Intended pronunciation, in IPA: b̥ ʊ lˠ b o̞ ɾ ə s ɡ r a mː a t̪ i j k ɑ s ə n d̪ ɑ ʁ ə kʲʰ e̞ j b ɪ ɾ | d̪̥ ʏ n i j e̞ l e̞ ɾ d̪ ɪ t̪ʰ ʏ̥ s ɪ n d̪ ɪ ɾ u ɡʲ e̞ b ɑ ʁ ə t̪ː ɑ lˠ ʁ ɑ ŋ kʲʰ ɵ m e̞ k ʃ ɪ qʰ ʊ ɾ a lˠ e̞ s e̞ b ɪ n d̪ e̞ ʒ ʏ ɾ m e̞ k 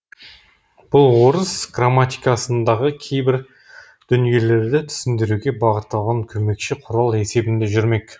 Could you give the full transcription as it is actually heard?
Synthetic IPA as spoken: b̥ ʊ lˠ w o̞ ɾ ə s ɡ r a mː a t̪ i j k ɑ s ə n d̪ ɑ ʁ ə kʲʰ e̞ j b ɪ ɾ | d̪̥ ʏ n i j e̞ l e̞ ɾ d̪ ɪ t̪ʰ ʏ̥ s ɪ n d̪ ɪ ɾ u ɡʲ e̞ b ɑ ʁ ə t̪ː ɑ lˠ ʁ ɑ ŋ kʲʰ ɵ m e̞ k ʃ ɪ qʰ ʊ ɾ ɑ lˠ e̞ s e̞ b ɪ n d̪ e̞ ʒ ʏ ɾ m e̞ k

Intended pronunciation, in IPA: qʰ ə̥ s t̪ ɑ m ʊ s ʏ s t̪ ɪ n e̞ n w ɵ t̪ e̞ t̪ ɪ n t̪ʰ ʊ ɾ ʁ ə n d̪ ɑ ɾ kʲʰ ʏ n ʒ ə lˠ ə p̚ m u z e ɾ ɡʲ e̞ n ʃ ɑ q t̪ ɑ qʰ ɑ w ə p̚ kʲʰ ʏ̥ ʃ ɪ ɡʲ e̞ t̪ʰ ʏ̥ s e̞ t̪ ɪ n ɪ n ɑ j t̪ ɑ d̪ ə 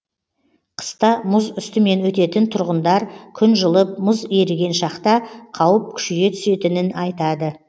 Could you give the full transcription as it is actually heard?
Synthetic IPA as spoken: qʰ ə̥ s t̪ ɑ m ʊ z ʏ s t̪ ɪ m e̞ n w ɵ t̪ e̞ t̪ ɪ n t̪ʰ ʊ ɾ ʁ ə n d̪ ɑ ɾ kʲʰ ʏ n ʒ ə lˠ ə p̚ m ʊ z e ɾ ɡʲ e̞ n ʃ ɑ q t̪ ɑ qʰ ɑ w ə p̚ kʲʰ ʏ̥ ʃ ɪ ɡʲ e̞ t̪ʰ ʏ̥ s e̞ t̪ ɪ n ɪ n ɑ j t̪ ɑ d̪ ə

